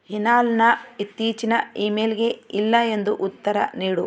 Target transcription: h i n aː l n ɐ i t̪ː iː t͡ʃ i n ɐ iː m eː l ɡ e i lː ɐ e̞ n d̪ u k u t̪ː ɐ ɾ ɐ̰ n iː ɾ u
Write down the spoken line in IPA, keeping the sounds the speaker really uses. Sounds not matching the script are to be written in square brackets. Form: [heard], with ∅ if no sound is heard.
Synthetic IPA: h i n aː l n ɐ i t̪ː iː t͡ʃ i n ɐ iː m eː l ɡ e i lː ɐ e̞ n d̪ u [ʔ] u t̪ː ɐ ɾ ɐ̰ n iː [ɽ] u